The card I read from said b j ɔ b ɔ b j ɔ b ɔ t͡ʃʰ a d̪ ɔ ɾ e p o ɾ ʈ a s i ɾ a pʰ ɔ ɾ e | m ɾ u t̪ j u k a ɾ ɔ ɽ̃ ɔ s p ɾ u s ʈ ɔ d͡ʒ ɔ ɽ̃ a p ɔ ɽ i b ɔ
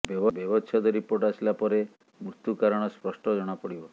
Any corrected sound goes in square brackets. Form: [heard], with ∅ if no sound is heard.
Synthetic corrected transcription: b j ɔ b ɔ b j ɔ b ɔ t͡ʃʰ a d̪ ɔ ɾ [i] p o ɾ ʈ a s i [l] a [p] ɔ ɾ e | m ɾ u t̪ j u k a ɾ ɔ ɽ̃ ɔ s p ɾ [ɔ] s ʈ ɔ d͡ʒ ɔ ɽ̃ a p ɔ ɽ i b ɔ